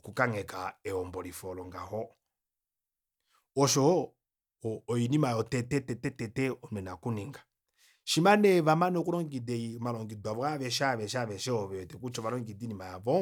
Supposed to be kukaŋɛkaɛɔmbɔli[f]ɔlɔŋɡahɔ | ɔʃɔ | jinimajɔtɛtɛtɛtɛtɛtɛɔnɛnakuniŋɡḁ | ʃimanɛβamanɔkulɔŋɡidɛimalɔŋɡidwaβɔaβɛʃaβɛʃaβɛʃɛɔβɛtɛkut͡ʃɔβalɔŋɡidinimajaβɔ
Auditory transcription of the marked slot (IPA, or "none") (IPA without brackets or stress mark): f